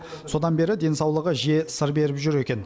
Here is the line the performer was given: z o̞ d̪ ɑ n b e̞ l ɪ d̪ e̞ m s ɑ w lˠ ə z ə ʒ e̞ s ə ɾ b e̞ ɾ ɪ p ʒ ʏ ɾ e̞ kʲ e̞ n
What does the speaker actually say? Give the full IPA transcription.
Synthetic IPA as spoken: s o̞ d̪ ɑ n b e̞ ɾ ɪ d̪ e̞ n s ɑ w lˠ ə ʁ ə ʒ e̞ s ə ɾ b e̞ ɾ ɪ p ʒ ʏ ɾ e̞ kʲ e̞ n

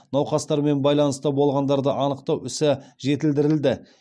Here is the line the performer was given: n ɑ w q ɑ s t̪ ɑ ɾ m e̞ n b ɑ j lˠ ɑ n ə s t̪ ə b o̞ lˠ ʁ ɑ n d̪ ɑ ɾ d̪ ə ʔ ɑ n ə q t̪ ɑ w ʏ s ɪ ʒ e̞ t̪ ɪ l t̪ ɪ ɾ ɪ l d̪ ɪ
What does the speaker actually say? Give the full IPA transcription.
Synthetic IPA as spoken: n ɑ w q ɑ s t̪ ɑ ɾ m e̞ n b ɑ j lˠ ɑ n ə s t̪ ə b o̞ lˠ ʁ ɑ n d̪ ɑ ɾ d̪ ə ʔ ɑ n ə q t̪ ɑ w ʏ s ɪ ʒ e̞ t̪ ɪ l d̪ ɪ ɾ ɪ l d̪ ɪ

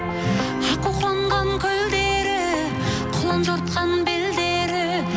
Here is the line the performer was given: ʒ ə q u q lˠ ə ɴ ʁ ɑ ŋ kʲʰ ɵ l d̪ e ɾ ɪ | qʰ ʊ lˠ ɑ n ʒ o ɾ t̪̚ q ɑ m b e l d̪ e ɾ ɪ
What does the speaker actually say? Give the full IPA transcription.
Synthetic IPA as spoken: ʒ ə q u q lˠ ɑ ɴ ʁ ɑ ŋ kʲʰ ɵ l d̪ e ɾ ɪ | qʰ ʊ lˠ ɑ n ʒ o ɾ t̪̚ q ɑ n b e l d̪ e ɾ ɪ

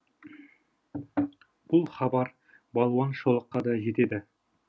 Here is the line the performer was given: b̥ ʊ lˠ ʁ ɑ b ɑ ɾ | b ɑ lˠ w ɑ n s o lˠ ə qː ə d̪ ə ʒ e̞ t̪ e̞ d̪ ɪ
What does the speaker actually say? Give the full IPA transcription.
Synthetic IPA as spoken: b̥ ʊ lˠ χ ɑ b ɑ ɾ | b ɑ lˠ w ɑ n ʃ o lˠ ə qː ɑ d̪ ɑ ʒ e̞ t̪ e̞ d̪ ɪ

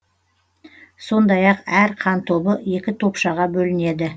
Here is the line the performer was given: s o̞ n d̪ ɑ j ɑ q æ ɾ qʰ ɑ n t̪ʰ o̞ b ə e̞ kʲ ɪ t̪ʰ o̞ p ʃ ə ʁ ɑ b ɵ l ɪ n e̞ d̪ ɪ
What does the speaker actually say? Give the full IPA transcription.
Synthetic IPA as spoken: s o̞ n d̪ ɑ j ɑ q æ ɾ qʰ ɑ n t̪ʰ o̞ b ə e̞ kʲ ɪ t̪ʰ o̞ p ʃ ɑ ʁ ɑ b ɵ l ɪ n e̞ d̪ ɪ

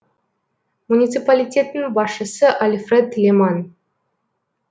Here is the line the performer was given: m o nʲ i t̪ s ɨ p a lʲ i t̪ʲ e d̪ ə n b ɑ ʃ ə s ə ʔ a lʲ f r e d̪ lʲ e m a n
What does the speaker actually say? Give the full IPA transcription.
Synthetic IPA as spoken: m u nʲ i t̪ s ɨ p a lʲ i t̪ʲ e t̪ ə n b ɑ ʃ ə s ə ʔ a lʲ f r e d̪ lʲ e m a n

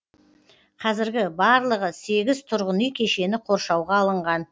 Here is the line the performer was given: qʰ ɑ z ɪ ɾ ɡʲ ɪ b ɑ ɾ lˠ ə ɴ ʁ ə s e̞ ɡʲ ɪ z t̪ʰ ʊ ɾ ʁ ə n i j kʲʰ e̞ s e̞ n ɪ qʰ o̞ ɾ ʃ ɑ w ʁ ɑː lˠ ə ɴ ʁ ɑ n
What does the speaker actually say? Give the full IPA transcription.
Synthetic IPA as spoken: qʰ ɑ z ɪ ɾ ɡʲ ɪ b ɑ ɾ lˠ ə ʁ ə s e̞ ɡʲ ɪ z t̪ʰ ʊ ɾ ʁ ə n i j kʲʰ e̞ ʃ e̞ n ɪ qʰ o̞ ɾ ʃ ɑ w ʁ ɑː lˠ ə ɴ ʁ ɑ n

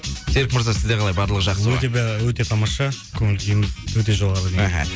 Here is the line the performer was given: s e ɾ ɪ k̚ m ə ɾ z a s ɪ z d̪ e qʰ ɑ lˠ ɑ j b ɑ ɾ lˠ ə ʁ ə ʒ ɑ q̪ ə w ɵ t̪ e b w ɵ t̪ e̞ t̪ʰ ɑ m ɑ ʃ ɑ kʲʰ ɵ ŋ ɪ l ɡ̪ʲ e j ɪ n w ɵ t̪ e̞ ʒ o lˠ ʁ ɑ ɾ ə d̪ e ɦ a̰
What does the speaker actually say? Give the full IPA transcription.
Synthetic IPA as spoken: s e ɾ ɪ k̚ m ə ɾ z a s ɪ z d̪ e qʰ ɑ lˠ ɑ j b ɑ ɾ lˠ ə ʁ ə ʒ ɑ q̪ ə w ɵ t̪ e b w ɵ t̪ e̞ t̪ʰ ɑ m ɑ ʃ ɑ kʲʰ ɵ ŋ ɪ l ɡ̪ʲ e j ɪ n w ɵ t̪ e̞ ʒ o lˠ ʁ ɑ ɾ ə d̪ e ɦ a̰

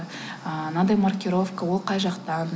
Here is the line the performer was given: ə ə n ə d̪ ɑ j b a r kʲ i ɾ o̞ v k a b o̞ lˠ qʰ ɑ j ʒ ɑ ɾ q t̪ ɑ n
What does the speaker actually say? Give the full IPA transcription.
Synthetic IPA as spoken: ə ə n ɑ d̪ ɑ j m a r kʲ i ɾ o̞ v k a w o̞ lˠ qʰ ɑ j ʒ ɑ q t̪ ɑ n

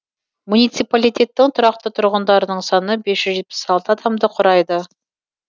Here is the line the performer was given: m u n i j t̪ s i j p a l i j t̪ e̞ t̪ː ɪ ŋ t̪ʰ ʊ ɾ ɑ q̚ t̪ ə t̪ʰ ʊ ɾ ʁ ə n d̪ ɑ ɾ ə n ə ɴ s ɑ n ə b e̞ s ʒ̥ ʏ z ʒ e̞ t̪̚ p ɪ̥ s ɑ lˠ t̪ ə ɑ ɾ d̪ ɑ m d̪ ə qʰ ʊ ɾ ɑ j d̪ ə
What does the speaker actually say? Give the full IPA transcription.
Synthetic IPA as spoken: m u n i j t̪ s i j p a l i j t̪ e̞ t̪ː ɪ ŋ t̪ʰ ʊ ɾ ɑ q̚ t̪ ə t̪ʰ ʊ ɾ ʁ ə n d̪ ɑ ɾ ə n ə ɴ s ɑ n ə b e̞ s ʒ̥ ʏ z ʒ e̞ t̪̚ p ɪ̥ s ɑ lˠ t̪ ə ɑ d̪ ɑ m d̪ ə qʰ ʊ ɾ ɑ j d̪ ə

